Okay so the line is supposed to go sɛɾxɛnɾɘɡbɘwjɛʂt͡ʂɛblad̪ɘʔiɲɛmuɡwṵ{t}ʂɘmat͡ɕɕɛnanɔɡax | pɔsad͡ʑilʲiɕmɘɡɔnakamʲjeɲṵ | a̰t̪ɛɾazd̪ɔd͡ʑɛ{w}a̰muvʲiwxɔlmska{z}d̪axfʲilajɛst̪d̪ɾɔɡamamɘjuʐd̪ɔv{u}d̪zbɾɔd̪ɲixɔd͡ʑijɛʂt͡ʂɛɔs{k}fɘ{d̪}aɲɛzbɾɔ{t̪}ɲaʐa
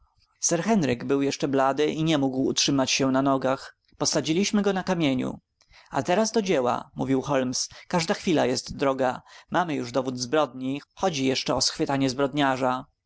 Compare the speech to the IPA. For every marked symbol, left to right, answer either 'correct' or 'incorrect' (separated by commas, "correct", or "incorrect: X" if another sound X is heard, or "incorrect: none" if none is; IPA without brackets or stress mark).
correct, correct, incorrect: ʐ, correct, incorrect: x, incorrect: t̪, incorrect: d̪